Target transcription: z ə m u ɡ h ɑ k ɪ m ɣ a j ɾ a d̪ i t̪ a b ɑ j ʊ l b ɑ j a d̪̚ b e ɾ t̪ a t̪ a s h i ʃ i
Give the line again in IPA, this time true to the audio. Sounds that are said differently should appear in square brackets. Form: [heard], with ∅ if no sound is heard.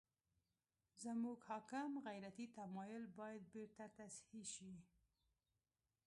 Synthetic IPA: z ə m u ɡ h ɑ k ɪ m ɣ a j ɾ a [t̪] i t̪ a [m] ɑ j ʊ l b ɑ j a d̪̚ b e ɾ t̪ a t̪ a s h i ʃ i